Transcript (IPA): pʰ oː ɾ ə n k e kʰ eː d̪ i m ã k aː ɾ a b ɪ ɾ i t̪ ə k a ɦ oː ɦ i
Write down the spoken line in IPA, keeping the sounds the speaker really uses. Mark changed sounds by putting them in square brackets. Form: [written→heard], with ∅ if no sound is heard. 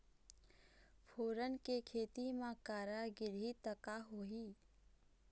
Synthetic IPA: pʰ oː ɾ ə n k e kʰ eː [d̪→t̪] i m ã k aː ɾ a [b→ɡ] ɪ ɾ i t̪ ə k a ɦ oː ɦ i